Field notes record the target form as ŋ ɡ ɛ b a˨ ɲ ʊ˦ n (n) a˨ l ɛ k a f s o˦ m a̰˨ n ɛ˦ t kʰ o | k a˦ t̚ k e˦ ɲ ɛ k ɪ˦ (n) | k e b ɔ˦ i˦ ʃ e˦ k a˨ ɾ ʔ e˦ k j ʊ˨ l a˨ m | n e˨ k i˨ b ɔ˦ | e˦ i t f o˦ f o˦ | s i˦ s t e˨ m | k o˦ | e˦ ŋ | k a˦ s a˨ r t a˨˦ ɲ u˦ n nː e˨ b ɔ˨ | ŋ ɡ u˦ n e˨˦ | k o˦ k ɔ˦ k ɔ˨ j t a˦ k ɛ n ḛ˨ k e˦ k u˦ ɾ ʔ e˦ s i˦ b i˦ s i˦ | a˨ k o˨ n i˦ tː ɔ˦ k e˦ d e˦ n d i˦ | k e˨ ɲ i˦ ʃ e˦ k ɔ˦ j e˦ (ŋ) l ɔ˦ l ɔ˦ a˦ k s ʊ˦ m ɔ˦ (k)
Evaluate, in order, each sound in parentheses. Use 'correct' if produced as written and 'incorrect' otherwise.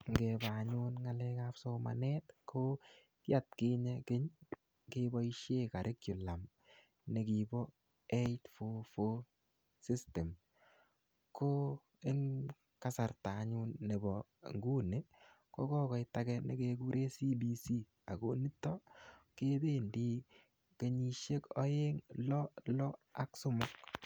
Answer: incorrect, incorrect, correct, correct

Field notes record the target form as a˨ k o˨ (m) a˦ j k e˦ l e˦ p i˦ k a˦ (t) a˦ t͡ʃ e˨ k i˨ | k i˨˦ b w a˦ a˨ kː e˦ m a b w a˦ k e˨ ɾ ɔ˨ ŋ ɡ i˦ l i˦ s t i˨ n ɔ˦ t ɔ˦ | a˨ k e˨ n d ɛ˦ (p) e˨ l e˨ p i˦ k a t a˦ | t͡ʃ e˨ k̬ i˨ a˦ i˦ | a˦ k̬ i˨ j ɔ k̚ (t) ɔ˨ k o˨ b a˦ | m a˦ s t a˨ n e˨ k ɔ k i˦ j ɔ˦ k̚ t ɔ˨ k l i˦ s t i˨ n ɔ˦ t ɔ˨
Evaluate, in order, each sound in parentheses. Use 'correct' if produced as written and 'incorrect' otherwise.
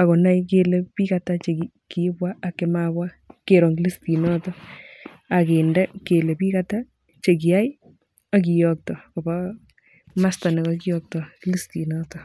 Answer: incorrect, correct, incorrect, correct

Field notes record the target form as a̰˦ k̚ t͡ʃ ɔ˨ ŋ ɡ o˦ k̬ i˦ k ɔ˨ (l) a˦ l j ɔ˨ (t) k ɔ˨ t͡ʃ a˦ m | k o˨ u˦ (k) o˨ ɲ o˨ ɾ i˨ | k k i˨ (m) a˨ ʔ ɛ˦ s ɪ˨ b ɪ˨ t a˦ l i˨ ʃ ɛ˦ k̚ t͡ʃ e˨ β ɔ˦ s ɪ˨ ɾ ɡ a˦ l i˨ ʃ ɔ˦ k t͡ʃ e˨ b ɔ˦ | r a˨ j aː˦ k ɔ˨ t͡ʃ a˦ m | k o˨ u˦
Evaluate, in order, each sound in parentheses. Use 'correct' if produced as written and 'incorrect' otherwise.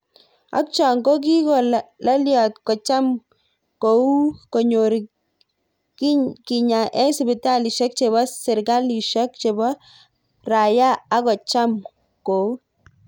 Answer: correct, correct, correct, incorrect

